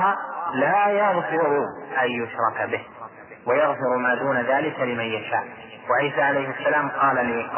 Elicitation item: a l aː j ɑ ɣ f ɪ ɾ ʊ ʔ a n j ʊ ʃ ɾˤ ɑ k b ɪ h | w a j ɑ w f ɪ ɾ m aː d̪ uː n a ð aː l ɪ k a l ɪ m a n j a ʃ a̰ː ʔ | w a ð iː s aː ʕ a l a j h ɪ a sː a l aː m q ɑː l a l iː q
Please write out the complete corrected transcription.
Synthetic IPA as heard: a l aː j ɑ ɣ f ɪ ɾ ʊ ʔ a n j ʊ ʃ ɾˤ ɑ k b ɪ h | w a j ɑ ɣ f ɪ ɾ m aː d̪ uː n a ð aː l ɪ k a l ɪ m a n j a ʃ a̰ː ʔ | w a ʕ iː s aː ʕ a l a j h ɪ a sː a l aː m q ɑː l a l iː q